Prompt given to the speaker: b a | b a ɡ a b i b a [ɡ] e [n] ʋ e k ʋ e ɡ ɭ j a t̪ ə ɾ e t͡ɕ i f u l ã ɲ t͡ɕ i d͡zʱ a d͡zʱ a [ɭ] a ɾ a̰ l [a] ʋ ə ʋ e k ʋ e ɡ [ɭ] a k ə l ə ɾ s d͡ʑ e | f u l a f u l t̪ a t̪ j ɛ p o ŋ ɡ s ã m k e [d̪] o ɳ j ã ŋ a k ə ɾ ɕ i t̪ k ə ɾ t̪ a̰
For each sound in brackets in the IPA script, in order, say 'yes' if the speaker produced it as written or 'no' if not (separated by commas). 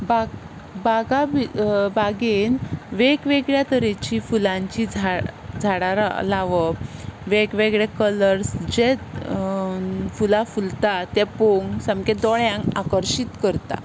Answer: yes, yes, no, yes, yes, yes